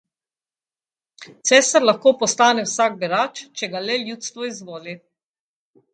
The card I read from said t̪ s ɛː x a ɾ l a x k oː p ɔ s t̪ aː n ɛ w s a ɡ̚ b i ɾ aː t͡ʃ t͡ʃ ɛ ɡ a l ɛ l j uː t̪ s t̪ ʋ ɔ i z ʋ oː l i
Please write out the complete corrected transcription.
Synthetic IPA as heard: t̪ s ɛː s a ɾ l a x k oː p ɔ s t̪ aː n ɛ w s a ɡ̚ b i ɾ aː t͡ʃ t͡ʃ ɛ ɡ a l ɛ l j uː t̪ s t̪ ʋ ɔ i z ʋ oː l i